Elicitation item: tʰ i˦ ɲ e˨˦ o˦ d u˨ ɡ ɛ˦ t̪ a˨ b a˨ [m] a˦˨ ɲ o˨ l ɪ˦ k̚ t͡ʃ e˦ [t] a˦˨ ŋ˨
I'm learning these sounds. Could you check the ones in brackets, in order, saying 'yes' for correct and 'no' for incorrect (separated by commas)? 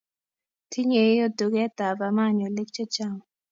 yes, no